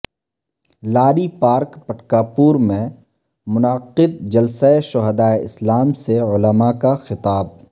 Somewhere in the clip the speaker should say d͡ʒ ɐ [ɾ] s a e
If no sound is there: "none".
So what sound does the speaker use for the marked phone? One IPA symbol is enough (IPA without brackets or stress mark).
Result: l